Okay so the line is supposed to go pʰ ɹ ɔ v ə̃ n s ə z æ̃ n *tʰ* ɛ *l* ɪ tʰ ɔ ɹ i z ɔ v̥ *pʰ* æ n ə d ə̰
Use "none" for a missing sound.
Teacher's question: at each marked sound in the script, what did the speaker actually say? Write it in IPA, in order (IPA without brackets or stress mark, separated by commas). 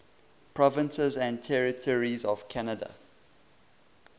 tʰ, ɹ, kʰ